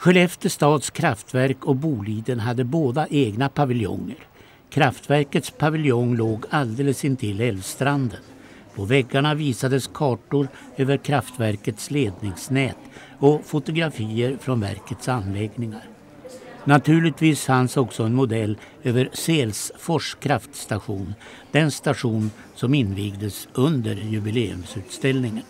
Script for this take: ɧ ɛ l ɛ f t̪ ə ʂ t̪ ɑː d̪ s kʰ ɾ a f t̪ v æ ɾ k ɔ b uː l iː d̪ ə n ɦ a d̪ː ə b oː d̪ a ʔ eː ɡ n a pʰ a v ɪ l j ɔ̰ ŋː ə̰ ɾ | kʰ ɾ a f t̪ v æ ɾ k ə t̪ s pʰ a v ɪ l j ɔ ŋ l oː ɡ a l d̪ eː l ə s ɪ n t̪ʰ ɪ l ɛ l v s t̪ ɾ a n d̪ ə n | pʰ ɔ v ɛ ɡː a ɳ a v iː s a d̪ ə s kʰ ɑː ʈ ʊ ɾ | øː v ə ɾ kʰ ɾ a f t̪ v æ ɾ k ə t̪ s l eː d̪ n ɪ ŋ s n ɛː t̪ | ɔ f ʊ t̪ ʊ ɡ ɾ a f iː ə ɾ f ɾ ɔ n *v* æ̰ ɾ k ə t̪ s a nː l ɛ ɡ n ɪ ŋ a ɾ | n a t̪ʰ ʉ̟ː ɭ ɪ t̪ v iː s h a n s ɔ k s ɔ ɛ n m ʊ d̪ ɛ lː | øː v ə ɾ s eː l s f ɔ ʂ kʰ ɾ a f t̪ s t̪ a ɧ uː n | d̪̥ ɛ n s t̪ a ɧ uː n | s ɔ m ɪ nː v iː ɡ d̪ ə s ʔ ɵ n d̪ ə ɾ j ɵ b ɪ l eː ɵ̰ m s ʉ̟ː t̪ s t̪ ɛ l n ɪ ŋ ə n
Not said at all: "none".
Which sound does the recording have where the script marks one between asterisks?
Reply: v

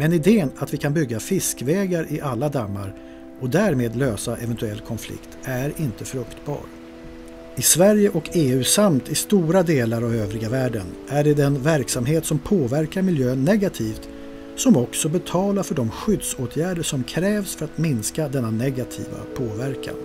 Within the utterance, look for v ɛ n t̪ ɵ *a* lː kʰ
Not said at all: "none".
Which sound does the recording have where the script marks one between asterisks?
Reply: ɛ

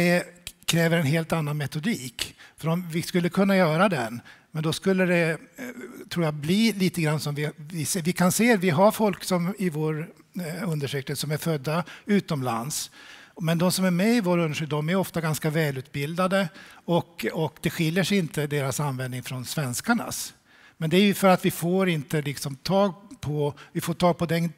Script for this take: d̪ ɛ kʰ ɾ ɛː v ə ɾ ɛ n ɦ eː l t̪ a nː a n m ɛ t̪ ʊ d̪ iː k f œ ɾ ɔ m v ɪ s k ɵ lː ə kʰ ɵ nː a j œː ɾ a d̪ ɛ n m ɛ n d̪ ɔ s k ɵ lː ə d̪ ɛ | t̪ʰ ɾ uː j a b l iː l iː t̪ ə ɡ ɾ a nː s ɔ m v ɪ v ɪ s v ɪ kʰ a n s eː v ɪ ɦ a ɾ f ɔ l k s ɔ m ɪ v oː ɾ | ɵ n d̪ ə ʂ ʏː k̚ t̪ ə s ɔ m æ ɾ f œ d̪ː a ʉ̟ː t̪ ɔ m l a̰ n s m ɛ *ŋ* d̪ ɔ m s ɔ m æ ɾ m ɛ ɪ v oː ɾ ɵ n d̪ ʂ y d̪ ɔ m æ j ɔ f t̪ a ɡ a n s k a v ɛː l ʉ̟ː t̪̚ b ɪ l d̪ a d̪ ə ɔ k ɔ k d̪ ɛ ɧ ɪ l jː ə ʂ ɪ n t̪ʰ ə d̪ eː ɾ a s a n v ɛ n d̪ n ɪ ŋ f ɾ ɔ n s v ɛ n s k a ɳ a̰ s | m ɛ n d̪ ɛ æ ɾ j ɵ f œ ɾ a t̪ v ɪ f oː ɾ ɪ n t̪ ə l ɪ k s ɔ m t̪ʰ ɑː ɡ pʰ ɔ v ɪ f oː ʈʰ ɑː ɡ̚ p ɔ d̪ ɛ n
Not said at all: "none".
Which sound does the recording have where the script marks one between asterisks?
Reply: n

